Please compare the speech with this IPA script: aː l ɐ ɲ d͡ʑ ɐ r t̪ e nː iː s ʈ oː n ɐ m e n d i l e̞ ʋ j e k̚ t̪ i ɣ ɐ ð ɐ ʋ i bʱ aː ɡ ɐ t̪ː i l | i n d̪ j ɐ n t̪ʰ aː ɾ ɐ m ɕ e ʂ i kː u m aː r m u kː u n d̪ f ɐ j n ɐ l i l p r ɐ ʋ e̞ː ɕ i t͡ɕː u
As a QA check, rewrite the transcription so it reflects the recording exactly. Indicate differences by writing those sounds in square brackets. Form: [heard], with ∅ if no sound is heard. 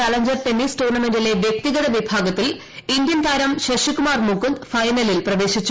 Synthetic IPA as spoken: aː l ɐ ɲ d͡ʑ ɐ r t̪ e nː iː s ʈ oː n ɐ m e n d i l e̞ ʋ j e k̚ t̪ i ɣ ɐ ð ɐ ʋ i bʱ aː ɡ ɐ t̪ː i l | i n d̪ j ɐ n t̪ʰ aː ɾ ɐ m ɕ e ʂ i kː u m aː r m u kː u n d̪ f ɐ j n ɐ l i l p r ɐ ʋ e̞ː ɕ i t͡ɕː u